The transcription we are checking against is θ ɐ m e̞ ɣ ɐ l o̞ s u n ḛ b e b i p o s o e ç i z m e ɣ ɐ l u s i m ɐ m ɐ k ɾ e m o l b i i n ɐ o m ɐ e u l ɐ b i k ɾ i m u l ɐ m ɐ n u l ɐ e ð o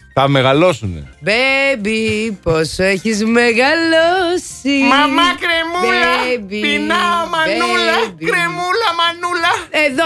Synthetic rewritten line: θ ɐ m e̞ ɣ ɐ l o̞ s u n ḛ b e b i p o s o e ç i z m e ɣ ɐ l o s i m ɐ m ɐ k ɾ e m u l b i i n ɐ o m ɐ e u l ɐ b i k ɾ e m u l ɐ m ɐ n u l ɐ e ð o